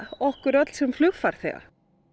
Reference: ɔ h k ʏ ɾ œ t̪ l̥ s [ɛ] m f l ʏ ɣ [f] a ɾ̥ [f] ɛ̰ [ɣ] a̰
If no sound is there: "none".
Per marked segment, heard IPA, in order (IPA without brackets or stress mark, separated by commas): ɛ, f, θ, ɣ